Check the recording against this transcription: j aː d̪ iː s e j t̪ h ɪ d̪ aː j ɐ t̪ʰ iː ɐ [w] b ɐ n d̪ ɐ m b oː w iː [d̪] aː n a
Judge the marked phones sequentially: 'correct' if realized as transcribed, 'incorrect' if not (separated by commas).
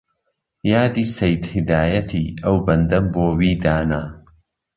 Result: correct, correct